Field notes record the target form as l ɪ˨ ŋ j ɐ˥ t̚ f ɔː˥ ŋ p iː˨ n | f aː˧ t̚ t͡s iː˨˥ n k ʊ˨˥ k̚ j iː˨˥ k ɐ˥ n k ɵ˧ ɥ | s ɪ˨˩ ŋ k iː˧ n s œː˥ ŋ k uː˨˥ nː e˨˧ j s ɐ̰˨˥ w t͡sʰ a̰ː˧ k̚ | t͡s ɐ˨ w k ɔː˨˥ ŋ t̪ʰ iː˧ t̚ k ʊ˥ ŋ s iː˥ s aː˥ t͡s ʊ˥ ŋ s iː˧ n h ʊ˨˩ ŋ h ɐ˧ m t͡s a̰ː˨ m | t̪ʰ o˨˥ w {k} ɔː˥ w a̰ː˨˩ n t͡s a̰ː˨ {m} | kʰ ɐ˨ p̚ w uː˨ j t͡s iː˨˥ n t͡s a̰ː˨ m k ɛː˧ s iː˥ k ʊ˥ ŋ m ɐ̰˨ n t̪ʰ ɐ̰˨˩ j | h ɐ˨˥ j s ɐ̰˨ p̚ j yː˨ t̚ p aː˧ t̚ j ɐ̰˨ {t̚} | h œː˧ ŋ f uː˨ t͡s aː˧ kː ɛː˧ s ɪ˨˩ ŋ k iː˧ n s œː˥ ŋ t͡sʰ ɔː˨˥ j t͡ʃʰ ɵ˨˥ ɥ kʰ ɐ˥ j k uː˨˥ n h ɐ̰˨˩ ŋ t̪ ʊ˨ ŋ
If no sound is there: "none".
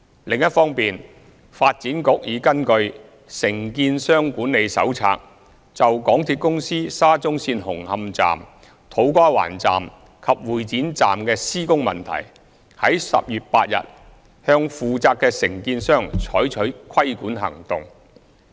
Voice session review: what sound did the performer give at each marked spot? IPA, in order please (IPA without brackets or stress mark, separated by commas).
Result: k, m, t̚